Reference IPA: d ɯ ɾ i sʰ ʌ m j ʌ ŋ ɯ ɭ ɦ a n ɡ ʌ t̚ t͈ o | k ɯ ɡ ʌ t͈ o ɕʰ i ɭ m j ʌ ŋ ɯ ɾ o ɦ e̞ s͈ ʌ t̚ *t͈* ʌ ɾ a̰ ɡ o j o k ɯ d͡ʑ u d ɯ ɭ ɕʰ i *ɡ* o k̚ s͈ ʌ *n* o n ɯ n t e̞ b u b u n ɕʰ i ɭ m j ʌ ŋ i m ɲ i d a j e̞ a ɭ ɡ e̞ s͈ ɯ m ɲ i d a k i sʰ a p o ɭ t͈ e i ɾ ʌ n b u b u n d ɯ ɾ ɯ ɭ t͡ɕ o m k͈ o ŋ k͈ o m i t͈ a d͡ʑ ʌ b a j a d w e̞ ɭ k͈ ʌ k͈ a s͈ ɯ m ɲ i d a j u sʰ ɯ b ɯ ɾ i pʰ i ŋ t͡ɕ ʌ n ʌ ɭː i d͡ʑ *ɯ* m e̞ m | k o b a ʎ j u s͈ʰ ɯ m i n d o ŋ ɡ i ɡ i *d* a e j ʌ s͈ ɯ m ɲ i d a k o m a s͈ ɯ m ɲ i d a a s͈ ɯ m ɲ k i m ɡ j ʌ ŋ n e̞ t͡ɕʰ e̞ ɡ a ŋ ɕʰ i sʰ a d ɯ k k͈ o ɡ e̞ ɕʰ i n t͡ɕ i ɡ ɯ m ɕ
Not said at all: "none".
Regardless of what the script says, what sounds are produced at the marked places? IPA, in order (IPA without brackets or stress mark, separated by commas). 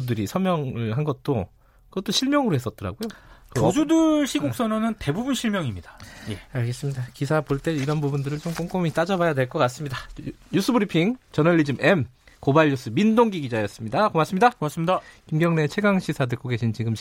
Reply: t͈, ɡ, n, ɯ, d͡ʑ